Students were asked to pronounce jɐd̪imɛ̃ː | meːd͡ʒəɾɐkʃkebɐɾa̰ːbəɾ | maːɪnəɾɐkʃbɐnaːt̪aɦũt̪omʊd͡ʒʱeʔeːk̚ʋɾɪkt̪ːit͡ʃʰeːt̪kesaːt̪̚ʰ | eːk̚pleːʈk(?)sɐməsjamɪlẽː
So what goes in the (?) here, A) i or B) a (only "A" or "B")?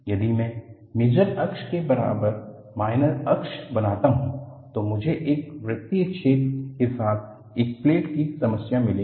A